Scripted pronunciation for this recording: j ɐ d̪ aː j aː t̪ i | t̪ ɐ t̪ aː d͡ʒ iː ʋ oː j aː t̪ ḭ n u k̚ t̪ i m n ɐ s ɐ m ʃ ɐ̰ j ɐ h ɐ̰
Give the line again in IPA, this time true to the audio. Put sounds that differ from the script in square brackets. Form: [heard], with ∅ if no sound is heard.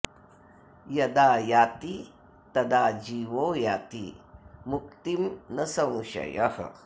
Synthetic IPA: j ɐ d̪ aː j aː t̪ i | t̪ ɐ [d̪] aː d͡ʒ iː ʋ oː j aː t̪ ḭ [m] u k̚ t̪ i m n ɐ s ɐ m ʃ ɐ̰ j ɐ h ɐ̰

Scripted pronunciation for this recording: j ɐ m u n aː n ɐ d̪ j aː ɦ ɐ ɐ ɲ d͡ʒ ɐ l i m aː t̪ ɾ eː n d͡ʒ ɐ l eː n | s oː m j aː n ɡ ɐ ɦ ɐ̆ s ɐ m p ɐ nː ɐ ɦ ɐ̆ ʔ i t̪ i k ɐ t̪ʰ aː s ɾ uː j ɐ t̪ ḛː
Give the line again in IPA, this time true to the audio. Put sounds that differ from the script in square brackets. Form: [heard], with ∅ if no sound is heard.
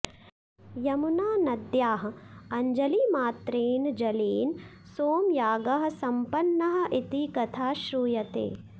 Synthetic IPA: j ɐ m u n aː n ɐ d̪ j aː ɦ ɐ ɐ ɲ d͡ʒ ɐ l i m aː t̪ ɾ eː n d͡ʒ ɐ l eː n | s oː m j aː [∅] ɡ ɐ ɦ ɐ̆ s ɐ m p ɐ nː ɐ ɦ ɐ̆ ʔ i t̪ i k ɐ t̪ʰ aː [ʃ] ɾ uː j ɐ t̪ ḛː

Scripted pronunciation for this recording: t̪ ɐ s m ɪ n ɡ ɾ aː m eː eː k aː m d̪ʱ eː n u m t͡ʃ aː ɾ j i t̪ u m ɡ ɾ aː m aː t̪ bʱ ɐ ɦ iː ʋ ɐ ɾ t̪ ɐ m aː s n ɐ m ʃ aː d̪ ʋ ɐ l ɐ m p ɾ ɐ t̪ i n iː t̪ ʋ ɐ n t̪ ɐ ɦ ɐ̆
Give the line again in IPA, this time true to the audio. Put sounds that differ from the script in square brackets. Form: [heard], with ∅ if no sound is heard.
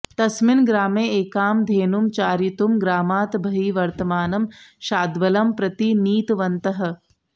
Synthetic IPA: t̪ ɐ s m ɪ n ɡ ɾ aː m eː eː k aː m d̪ʱ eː n u m t͡ʃ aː ɾ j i t̪ u m ɡ ɾ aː m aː t̪ bʱ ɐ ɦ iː ʋ ɐ ɾ t̪ ɐ m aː [∅] n ɐ m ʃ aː d̪ ʋ ɐ l ɐ m p ɾ ɐ t̪ i n iː t̪ ʋ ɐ n t̪ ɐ ɦ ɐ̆

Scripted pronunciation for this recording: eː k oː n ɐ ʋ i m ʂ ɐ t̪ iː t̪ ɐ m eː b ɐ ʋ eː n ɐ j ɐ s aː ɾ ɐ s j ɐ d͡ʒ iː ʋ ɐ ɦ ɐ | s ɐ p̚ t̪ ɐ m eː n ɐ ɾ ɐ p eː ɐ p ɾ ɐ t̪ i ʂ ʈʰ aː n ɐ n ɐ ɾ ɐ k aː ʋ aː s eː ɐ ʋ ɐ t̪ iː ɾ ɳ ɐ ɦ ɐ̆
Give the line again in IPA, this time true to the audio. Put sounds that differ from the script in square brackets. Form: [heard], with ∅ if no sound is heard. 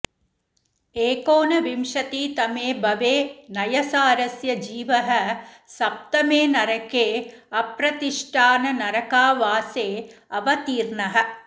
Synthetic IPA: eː k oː n ɐ ʋ i m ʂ ɐ t̪ iː t̪ ɐ m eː b ɐ ʋ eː n ɐ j ɐ s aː ɾ ɐ s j ɐ d͡ʒ iː ʋ ɐ ɦ ɐ | s ɐ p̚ t̪ ɐ m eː n ɐ ɾ ɐ [k] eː ɐ p ɾ ɐ t̪ i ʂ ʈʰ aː n ɐ n ɐ ɾ ɐ k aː ʋ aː s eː ɐ ʋ ɐ t̪ iː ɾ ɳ ɐ ɦ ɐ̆

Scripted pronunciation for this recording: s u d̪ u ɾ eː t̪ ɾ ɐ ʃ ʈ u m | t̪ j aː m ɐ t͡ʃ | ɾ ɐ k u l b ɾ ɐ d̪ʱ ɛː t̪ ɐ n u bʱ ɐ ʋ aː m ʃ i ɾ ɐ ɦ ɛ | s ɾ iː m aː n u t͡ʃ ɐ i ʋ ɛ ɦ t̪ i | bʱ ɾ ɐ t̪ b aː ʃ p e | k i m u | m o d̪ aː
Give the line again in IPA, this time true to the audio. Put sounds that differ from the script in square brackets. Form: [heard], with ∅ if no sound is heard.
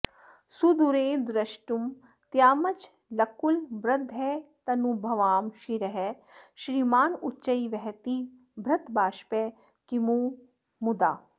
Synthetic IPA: s u d̪ u ɾ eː [d̪] ɾ ɐ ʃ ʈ u m | t̪ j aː m ɐ t͡ʃ | [l] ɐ k u l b ɾ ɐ d̪ʱ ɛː t̪ ɐ n u bʱ ɐ ʋ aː m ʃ i ɾ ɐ ɦ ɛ | [ʃ] ɾ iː m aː n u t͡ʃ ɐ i ʋ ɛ ɦ t̪ i | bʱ ɾ ɐ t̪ b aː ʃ p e | k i m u | m [u] d̪ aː

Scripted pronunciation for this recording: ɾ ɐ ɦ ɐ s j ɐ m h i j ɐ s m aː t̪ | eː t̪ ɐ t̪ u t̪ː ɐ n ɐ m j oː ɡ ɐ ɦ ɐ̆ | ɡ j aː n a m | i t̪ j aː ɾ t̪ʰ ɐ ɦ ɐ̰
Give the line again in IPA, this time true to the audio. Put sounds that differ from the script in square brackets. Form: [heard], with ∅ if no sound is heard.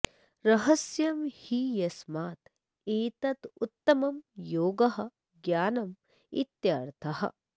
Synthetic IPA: ɾ ɐ ɦ ɐ s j ɐ m h i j ɐ s m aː t̪ | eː t̪ ɐ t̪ u t̪ː ɐ [m] ɐ m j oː ɡ ɐ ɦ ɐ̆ | ɡ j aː n [ɐ] m | i t̪ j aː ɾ t̪ʰ ɐ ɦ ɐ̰

